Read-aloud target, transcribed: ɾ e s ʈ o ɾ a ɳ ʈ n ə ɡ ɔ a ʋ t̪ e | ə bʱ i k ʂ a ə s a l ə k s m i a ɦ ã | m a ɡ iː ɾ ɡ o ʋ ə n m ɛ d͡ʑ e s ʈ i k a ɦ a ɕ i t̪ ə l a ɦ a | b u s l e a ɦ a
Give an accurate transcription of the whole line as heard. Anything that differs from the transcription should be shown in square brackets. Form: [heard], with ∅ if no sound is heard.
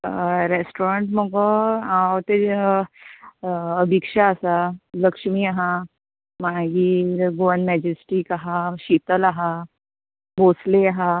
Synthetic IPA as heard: ɾ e s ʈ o ɾ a ɳ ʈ [m] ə ɡ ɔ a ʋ t̪ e | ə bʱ i k ʂ a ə s a l ə k [ʂ] m i a ɦ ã | m a ɡ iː ɾ ɡ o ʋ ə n m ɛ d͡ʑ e s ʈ i k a ɦ a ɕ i t̪ ə l a ɦ a | b [o] s l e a ɦ a